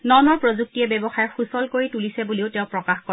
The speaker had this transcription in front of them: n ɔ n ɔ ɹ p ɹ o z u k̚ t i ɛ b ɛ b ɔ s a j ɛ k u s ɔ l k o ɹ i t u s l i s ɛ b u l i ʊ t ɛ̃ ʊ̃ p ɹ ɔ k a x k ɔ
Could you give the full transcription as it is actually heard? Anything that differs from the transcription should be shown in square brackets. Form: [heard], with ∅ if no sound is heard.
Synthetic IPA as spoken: n ɔ n ɔ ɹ p ɹ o z u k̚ t i ɛ b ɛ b ɔ [x] a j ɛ [x] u s ɔ l k o ɹ i t u [∅] l i s ɛ b u l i ʊ t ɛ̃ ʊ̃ p ɹ ɔ k a x k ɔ